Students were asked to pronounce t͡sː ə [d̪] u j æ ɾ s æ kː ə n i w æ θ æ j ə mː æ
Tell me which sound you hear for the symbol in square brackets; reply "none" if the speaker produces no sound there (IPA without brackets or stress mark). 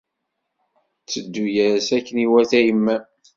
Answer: d̪ː